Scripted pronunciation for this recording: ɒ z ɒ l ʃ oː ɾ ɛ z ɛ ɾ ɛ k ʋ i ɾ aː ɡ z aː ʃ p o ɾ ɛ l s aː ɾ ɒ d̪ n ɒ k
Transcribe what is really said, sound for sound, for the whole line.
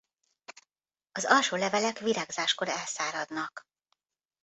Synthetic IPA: ɒ z ɒ l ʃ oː l ɛ v ɛ l ɛ k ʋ i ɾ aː ɡ z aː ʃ k o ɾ ɛ l s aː ɾ ɒ d̪ n ɒ k